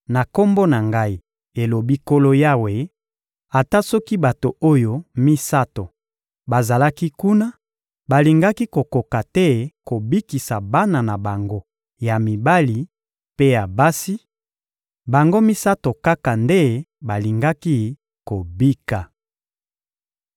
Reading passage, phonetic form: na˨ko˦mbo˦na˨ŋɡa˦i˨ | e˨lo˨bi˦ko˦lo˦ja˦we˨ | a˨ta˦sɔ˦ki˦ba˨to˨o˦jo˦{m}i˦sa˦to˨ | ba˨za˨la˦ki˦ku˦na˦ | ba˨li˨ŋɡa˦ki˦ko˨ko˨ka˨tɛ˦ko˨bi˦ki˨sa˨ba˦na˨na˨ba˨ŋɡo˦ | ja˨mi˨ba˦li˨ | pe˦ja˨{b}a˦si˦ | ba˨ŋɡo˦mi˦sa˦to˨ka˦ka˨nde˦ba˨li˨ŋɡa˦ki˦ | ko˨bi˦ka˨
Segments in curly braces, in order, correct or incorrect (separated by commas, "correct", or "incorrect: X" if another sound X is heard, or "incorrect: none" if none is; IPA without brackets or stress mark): correct, correct